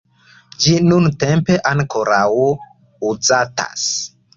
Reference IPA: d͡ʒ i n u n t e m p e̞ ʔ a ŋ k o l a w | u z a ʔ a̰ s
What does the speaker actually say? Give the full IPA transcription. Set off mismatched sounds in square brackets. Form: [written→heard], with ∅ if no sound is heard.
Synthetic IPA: d͡ʒ i n u n t e m p e̞ ʔ a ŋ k o [l→ɾ] a w | u z a [ʔ→t] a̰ s